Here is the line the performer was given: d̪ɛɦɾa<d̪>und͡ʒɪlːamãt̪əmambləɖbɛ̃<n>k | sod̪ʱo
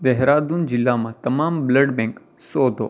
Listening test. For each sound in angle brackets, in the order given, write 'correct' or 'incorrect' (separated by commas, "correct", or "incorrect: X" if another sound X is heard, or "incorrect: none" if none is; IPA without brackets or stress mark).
correct, incorrect: ŋ